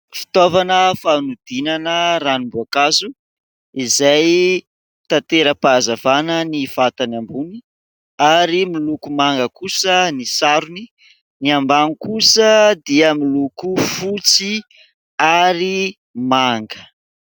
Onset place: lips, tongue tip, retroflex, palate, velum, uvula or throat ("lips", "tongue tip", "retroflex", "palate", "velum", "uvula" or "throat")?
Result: lips